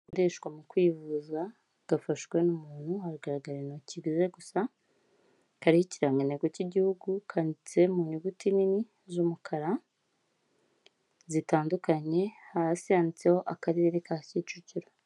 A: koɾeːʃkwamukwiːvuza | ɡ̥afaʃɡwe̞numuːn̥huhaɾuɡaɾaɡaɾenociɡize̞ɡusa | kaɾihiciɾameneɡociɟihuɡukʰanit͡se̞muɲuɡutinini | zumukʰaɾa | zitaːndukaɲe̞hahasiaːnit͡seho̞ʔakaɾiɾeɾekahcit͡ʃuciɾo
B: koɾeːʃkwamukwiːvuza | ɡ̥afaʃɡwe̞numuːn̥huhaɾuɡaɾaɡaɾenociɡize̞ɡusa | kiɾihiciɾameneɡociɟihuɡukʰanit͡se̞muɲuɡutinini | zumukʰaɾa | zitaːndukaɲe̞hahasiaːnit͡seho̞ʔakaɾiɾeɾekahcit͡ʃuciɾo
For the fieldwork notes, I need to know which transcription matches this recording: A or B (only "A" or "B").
A